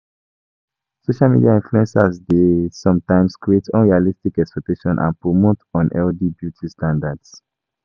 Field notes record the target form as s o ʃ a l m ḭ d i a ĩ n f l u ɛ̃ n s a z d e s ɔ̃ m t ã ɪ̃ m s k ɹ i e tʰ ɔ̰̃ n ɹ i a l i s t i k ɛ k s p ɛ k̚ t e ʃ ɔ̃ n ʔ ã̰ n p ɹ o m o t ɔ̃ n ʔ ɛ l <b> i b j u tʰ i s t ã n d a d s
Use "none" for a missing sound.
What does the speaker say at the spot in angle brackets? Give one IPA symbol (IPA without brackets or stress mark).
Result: d